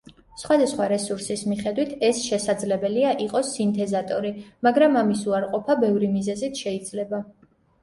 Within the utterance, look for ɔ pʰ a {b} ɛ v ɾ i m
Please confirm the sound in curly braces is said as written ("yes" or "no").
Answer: yes